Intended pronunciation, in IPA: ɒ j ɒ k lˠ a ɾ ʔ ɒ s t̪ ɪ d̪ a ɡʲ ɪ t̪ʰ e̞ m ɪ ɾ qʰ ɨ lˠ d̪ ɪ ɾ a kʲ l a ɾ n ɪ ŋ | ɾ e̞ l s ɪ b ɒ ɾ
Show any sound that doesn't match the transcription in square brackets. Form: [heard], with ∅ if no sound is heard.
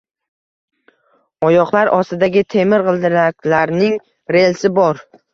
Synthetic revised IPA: ɒ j ɒ [q] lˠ a ɾ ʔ ɒ s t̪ ɪ d̪ a ɡʲ ɪ t̪ʰ e̞ m ɪ ɾ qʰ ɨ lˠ d̪ ɪ ɾ a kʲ l a ɾ n ɪ ŋ | ɾ e̞ l s ɪ b ɒ ɾ